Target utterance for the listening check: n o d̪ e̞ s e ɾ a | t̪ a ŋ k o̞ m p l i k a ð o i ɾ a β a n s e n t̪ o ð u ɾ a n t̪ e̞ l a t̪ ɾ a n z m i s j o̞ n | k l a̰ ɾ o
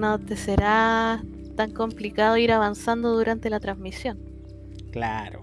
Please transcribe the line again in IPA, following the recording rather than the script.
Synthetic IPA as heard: n o t̪ e̞ s e ɾ a | t̪ a ŋ k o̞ m p l i k a ð o i ɾ a β a n s a n d̪ o ð u ɾ a n t̪ e̞ l a t̪ ɾ a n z m i s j o̞ n | k l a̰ ɾ o